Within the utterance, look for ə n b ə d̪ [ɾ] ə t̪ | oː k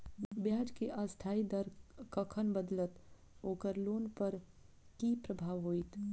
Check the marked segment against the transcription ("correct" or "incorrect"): incorrect